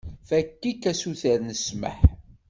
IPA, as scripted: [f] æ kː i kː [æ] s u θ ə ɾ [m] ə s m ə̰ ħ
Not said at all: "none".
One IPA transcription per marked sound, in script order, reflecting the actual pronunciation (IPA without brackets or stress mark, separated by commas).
f, æ, n